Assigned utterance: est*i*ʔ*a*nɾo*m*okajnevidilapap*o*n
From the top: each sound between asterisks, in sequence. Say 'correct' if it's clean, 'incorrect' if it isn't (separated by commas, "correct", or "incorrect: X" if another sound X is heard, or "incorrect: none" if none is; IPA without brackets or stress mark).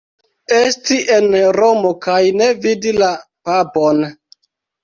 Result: correct, incorrect: e, correct, correct